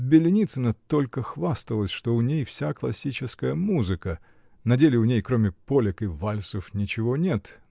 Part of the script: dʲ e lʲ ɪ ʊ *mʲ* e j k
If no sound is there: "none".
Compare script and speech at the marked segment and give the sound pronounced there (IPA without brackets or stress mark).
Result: nʲ